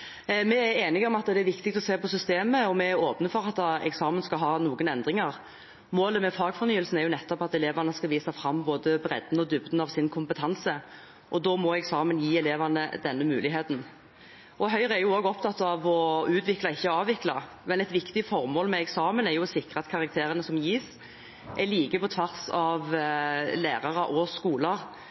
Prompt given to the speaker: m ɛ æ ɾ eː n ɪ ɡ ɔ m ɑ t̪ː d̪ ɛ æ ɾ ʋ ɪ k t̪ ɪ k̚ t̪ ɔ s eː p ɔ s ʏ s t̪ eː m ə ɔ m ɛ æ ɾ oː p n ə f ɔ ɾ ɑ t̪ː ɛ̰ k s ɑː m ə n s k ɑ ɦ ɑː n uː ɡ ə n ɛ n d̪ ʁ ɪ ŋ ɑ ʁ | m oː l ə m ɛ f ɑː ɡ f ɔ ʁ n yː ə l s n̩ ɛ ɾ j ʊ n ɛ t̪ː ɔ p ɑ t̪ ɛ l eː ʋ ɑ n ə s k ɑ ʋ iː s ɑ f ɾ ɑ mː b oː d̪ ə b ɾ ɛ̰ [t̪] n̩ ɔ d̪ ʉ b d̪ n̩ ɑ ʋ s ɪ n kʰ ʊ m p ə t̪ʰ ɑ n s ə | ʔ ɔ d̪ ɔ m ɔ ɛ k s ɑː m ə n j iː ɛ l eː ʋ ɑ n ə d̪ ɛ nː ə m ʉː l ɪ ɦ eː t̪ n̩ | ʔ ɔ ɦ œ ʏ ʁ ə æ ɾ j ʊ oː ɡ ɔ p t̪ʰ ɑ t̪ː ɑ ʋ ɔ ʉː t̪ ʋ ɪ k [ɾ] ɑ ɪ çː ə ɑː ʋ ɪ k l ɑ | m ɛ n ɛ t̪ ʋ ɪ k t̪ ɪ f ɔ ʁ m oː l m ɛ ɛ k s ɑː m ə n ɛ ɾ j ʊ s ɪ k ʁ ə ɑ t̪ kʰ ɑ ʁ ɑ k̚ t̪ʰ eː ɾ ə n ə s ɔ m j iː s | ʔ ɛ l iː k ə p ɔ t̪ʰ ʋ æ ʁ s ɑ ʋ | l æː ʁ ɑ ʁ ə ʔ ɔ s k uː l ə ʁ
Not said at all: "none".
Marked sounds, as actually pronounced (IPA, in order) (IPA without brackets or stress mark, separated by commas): d̪, l